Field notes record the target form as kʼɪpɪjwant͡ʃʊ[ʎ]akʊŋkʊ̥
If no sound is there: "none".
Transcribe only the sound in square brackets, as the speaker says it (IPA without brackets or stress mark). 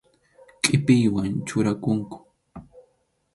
ɾ